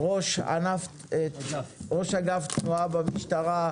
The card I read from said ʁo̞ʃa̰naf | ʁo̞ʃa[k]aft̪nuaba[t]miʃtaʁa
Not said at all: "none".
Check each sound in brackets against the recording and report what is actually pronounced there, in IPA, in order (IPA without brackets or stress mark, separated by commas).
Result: ɡ, none